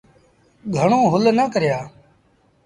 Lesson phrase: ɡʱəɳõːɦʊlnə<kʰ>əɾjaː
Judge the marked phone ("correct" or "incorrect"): incorrect